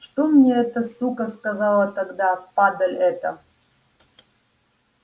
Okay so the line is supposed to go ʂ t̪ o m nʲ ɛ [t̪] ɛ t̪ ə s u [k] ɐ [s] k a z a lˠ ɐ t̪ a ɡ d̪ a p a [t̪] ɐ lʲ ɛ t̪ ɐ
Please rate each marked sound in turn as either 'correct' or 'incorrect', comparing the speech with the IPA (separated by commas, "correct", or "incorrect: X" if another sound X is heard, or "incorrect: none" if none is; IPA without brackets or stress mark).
incorrect: none, correct, correct, incorrect: d̪